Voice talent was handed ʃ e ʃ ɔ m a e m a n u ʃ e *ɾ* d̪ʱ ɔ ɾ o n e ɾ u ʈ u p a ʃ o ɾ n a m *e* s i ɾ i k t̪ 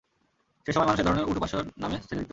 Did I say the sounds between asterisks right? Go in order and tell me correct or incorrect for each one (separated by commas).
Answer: correct, correct